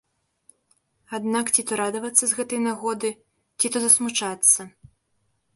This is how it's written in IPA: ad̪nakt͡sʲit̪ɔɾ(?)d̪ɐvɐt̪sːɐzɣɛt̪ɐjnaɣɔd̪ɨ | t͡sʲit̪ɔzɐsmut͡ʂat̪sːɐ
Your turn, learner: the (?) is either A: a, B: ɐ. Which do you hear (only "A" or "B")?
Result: A